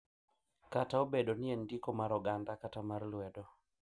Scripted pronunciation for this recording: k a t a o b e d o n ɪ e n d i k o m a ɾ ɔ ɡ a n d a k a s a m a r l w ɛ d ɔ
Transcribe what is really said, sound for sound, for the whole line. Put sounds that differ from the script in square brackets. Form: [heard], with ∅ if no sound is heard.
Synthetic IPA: k a t a o b e d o n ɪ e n d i k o m a ɾ ɔ ɡ a n d a k a [t] a m a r l w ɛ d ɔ